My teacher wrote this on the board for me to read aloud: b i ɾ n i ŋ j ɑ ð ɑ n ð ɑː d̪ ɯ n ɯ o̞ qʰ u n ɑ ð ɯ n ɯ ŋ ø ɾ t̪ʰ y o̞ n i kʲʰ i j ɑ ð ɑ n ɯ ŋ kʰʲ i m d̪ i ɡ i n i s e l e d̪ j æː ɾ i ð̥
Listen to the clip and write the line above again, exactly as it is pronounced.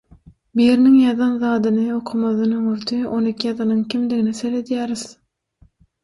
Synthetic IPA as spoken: b i ɾ n i ŋ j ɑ ð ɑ n ð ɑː d̪ ɯ n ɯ o̞ qʰ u m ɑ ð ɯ n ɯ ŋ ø ɾ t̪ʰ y o̞ n i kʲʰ i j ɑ ð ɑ n ɯ ŋ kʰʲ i m d̪ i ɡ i n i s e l e d̪ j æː ɾ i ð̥